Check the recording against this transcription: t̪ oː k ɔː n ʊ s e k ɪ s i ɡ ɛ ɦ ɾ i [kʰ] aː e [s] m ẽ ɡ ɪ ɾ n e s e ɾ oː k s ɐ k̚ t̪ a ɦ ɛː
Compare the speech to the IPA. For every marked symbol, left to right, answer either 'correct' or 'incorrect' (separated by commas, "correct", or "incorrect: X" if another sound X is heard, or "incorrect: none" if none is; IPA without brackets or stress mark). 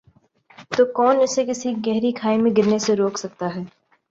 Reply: correct, incorrect: none